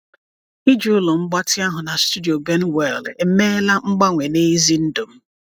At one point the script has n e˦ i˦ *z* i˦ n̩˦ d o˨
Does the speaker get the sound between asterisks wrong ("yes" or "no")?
no